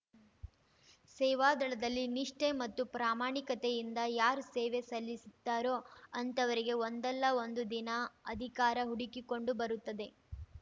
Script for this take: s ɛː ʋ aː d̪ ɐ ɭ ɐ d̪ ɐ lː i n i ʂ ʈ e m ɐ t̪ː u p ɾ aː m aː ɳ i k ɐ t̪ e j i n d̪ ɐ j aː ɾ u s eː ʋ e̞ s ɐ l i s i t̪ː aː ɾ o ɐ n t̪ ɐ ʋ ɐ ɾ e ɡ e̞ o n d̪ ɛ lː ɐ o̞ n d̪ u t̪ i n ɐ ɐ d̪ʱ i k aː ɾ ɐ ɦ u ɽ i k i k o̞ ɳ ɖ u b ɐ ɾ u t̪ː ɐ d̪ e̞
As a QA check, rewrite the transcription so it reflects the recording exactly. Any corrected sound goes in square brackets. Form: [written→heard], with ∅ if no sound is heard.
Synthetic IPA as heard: s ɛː ʋ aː d̪ ɐ ɭ ɐ d̪ ɐ lː i n i ʂ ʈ e m ɐ t̪ː u p ɾ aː m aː ɳ i k ɐ t̪ e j i n d̪ ɐ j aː ɾ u s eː ʋ e̞ s ɐ [l→lː] i s i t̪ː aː ɾ o ɐ n t̪ ɐ ʋ ɐ ɾ [e→i] ɡ e̞ o n d̪ ɛ lː ɐ o̞ n d̪ u [t̪→d̪] i n ɐ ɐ d̪ʱ i k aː ɾ ɐ ɦ u ɽ i k i k o̞ ɳ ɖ u b ɐ ɾ u t̪ː ɐ d̪ e̞

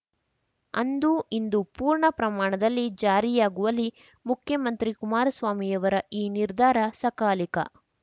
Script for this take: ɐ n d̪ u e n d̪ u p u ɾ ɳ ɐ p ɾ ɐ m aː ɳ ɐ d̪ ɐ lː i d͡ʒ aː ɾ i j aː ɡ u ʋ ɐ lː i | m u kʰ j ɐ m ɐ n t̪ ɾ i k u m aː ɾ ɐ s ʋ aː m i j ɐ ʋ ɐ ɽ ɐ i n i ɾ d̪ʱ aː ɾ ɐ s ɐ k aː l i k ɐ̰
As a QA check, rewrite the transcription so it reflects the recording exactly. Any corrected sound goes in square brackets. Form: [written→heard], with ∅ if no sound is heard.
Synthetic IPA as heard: ɐ n d̪ u [e→i] n d̪ u p [u→uː] ɾ ɳ ɐ p ɾ ɐ m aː ɳ ɐ d̪ ɐ lː i d͡ʒ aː ɾ i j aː ɡ u ʋ ɐ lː i | m u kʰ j ɐ m ɐ n t̪ ɾ i k u m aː ɾ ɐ s ʋ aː m i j ɐ ʋ ɐ [ɽ→ɾ] ɐ [i→iː] n i ɾ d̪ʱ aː ɾ ɐ s ɐ k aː l i k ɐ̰

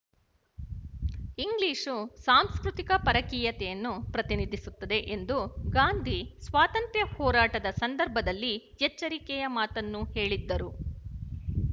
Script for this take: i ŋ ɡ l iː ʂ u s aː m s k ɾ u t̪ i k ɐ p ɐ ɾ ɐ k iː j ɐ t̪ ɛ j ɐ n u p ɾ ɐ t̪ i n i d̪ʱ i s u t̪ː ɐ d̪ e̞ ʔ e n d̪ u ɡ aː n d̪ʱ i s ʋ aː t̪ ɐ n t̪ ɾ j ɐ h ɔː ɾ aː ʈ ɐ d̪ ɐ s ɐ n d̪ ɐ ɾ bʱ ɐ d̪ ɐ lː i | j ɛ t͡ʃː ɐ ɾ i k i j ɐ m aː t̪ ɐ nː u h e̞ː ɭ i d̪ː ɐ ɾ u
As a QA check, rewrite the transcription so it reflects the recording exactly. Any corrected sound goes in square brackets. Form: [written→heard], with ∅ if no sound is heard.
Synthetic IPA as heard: i ŋ ɡ l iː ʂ u s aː m s k ɾ u t̪ i k ɐ p ɐ ɾ ɐ k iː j ɐ t̪ ɛ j ɐ [n→nː] u p ɾ ɐ t̪ i n i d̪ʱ i s u t̪ː ɐ d̪ e̞ ʔ e n d̪ u ɡ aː n d̪ʱ i s ʋ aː t̪ ɐ n t̪ ɾ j ɐ h ɔː ɾ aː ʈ ɐ d̪ ɐ s ɐ n d̪ ɐ ɾ bʱ ɐ d̪ ɐ lː i | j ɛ t͡ʃː ɐ ɾ i k [i→ɛ] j ɐ m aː t̪ ɐ nː u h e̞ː ɭ i d̪ː ɐ ɾ u

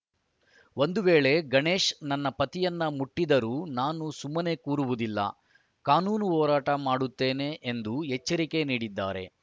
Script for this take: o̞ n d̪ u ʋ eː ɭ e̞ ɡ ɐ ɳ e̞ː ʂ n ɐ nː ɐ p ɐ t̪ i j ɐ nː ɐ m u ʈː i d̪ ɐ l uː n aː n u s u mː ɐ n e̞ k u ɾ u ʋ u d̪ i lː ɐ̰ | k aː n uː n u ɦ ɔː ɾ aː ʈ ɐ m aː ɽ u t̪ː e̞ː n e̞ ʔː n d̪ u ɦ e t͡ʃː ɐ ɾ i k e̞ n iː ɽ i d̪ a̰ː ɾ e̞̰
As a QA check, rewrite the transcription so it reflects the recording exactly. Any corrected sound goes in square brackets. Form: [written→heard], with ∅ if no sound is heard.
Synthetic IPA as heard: o̞ n d̪ u ʋ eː ɭ e̞ ɡ ɐ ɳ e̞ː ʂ n ɐ nː ɐ p ɐ t̪ i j ɐ nː ɐ m u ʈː i d̪ ɐ [l→ɾ] uː n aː n u s u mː ɐ n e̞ k [u→uː] ɾ u ʋ u d̪ i lː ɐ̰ | k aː n uː n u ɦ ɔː ɾ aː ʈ ɐ m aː ɽ u t̪ː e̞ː n e̞ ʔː n d̪ u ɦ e t͡ʃː ɐ ɾ i k e̞ n iː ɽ i [d̪→d̪ː] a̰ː ɾ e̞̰

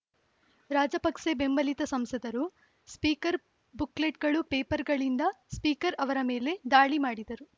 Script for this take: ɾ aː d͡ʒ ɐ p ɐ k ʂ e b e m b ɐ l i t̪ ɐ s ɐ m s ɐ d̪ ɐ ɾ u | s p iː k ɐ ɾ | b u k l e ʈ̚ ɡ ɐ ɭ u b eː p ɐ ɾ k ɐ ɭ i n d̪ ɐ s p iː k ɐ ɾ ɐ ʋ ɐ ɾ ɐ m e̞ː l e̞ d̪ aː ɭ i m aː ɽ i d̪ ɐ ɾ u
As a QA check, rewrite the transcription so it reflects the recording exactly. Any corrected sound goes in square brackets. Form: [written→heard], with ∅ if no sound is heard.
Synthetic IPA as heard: ɾ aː d͡ʒ ɐ p ɐ k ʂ e b e m b ɐ l i t̪ ɐ s ɐ m s ɐ d̪ ɐ ɾ u | s p iː k ɐ ɾ | b u k l e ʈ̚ ɡ ɐ ɭ u [b→p] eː p ɐ ɾ [k→ɡ] ɐ ɭ i n d̪ ɐ s p iː k ɐ ɾ ɐ ʋ ɐ ɾ ɐ m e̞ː l e̞ d̪ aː ɭ i m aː ɽ i d̪ ɐ ɾ u

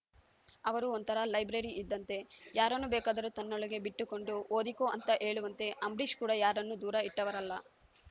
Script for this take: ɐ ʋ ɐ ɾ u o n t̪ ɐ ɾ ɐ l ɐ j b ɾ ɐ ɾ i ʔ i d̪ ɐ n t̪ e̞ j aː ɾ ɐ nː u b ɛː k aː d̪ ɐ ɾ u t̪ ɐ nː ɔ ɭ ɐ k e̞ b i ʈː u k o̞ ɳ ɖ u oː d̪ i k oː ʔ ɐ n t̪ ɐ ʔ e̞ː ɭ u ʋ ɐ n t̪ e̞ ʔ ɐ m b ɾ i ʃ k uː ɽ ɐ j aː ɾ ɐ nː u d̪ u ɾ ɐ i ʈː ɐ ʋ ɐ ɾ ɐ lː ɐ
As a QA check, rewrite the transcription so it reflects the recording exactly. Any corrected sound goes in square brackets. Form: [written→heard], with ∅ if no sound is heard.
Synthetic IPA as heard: ɐ ʋ ɐ ɾ u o n t̪ ɐ ɾ ɐ l ɐ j b ɾ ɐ ɾ i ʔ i [d̪→d̪ː] ɐ n t̪ e̞ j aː ɾ ɐ nː u b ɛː k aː d̪ ɐ ɾ u t̪ ɐ nː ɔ ɭ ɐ [k→ɡ] e̞ b i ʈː u k o̞ ɳ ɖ u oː d̪ i k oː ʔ ɐ n t̪ ɐ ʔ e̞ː ɭ u ʋ ɐ n t̪ e̞ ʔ ɐ m b ɾ i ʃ k uː ɽ ɐ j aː ɾ ɐ nː u d̪ [u→uː] ɾ ɐ i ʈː ɐ ʋ ɐ ɾ ɐ lː ɐ

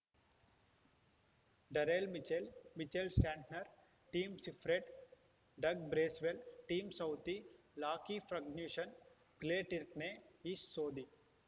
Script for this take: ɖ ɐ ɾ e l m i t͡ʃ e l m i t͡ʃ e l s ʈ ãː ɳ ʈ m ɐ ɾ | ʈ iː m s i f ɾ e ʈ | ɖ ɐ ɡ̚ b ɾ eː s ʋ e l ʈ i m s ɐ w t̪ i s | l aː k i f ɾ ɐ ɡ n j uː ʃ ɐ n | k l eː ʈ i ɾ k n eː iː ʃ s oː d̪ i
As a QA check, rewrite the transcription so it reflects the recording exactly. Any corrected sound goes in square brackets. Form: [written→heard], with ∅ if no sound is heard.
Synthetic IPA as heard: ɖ ɐ ɾ e l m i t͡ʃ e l m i t͡ʃ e l s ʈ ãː ɳ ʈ [m→n] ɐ ɾ | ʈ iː m s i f ɾ e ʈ | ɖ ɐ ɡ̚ b ɾ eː s ʋ e l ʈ [i→iː] m s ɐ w t̪ i [s→∅] | l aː k i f ɾ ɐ ɡ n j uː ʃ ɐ n | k l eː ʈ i ɾ k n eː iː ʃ s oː d̪ i

